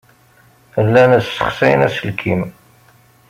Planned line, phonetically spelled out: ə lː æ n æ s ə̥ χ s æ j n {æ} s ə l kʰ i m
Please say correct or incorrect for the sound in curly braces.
correct